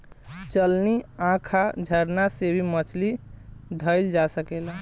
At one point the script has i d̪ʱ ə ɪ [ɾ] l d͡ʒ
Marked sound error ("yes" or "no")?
yes